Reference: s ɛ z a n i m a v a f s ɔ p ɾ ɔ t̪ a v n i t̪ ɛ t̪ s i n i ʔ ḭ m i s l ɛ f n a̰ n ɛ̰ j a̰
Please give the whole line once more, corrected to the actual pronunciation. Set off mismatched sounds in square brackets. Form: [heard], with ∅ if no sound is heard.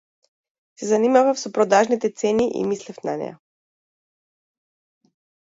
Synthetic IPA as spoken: s ɛ z a n i m a v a f s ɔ p ɾ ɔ [d̪] a [ʒ] n i t̪ ɛ t̪ s [ɛ] n i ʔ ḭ m i s l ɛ f n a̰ n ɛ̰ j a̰